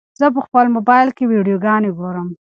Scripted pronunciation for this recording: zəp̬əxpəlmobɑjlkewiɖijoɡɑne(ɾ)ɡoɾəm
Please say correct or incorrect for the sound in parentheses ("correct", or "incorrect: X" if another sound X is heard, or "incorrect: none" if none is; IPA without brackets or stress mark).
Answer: incorrect: none